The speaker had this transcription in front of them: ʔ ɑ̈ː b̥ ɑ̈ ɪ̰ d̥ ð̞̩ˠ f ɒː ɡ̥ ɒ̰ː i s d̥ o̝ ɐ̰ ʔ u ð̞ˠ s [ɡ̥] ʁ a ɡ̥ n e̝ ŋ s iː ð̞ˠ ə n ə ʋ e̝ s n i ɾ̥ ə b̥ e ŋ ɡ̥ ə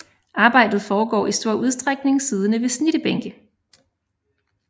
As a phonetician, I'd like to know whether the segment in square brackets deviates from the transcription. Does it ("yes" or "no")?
yes